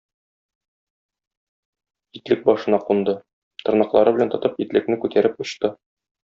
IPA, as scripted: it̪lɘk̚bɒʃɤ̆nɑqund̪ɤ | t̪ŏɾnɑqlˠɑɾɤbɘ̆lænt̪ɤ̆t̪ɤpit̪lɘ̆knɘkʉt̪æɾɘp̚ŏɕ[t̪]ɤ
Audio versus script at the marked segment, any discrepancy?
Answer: no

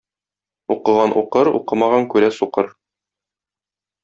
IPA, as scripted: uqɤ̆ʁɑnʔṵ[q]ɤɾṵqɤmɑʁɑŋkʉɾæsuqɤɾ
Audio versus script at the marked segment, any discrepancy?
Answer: no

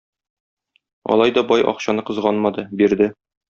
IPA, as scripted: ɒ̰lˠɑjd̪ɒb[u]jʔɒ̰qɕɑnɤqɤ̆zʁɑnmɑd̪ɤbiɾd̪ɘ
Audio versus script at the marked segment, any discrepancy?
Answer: yes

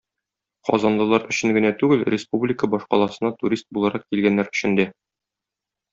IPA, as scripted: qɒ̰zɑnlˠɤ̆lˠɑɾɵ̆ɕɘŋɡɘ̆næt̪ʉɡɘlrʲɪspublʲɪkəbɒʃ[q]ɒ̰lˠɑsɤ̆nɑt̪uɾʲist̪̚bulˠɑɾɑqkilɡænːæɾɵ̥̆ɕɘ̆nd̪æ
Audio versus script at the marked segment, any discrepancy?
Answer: no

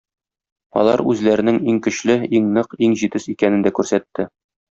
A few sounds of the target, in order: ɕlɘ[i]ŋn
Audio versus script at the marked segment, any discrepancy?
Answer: no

